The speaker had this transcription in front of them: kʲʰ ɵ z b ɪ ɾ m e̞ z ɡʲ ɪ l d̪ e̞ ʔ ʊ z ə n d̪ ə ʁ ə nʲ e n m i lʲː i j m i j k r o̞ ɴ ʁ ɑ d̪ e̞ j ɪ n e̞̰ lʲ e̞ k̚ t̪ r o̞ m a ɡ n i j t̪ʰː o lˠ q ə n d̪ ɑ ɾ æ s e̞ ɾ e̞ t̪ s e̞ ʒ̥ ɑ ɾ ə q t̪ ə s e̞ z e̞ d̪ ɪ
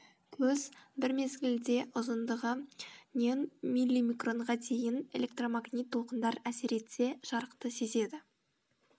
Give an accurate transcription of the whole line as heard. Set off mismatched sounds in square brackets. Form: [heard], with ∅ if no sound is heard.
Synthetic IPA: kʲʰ ɵ z b ɪ ɾ m e̞ z ɡʲ ɪ l d̪ e̞ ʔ ʊ z ə n d̪ ə ʁ ə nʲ e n m i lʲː i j m i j k r o̞ ɴ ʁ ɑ d̪ e̞ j ɪ n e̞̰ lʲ e̞ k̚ t̪ r o̞ m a ɡ n i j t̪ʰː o lˠ q ə n d̪ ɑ ɾ æ s e̞ ɾ e̞ t̪ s e̞ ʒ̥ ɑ ɾ ə q t̪ ə s e̞ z e̞ d̪ ɪ